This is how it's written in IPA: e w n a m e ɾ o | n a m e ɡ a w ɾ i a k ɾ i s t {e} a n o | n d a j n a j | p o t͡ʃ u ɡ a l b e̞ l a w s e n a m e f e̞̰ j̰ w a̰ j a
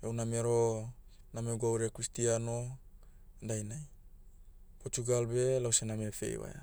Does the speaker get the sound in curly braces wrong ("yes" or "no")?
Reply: yes